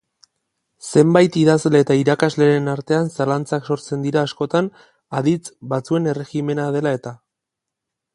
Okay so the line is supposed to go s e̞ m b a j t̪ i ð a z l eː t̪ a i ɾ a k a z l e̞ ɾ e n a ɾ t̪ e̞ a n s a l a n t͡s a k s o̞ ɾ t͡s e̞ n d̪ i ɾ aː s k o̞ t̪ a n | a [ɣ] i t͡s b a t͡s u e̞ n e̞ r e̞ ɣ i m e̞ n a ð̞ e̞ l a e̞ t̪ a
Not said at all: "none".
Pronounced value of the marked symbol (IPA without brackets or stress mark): ð